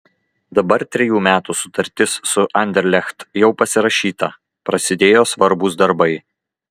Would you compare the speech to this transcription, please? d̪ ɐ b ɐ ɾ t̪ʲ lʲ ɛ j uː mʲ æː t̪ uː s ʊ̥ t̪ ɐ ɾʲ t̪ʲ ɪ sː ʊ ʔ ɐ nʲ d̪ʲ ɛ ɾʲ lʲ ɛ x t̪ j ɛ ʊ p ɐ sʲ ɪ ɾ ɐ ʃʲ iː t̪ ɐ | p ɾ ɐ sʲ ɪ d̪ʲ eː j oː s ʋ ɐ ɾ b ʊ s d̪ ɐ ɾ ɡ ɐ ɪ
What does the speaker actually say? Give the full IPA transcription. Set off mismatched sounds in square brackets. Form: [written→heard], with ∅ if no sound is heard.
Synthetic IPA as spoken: d̪ ɐ b ɐ ɾ t̪ʲ [lʲ→ɾʲ] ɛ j uː mʲ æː t̪ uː s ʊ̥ t̪ ɐ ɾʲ t̪ʲ ɪ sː ʊ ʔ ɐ nʲ d̪ʲ ɛ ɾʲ lʲ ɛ x t̪ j ɛ ʊ p ɐ sʲ ɪ ɾ ɐ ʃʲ iː t̪ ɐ | p ɾ ɐ sʲ ɪ d̪ʲ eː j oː s ʋ ɐ ɾ b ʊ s d̪ ɐ ɾ [ɡ→b] ɐ ɪ